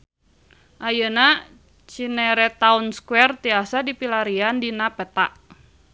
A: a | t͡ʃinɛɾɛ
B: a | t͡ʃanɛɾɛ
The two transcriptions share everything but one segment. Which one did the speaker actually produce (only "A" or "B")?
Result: A